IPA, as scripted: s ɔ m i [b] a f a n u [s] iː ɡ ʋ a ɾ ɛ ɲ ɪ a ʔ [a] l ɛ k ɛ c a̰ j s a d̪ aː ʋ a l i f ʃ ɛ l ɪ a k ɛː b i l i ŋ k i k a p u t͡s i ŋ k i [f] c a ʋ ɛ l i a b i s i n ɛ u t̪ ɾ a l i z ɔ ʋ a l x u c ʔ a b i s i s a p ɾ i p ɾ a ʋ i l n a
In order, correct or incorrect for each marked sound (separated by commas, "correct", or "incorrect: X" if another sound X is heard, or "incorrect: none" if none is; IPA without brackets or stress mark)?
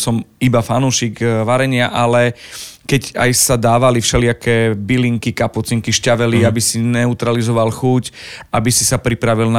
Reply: correct, incorrect: ʃ, correct, incorrect: ʃ